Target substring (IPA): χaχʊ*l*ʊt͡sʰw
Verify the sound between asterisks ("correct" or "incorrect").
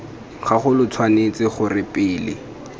correct